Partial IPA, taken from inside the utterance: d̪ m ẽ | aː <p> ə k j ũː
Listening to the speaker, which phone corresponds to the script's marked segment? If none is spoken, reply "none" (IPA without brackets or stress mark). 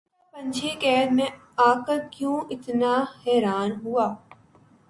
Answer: k